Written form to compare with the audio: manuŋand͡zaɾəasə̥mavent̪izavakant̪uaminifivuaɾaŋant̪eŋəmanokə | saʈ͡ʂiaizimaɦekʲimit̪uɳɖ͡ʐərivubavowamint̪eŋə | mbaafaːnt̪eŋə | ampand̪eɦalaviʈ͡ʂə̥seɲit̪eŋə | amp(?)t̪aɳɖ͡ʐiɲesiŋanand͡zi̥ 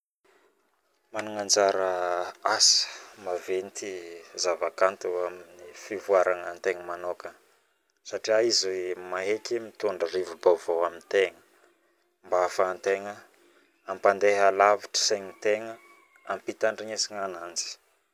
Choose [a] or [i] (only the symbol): i